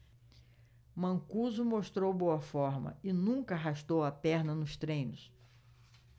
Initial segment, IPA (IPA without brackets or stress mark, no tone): m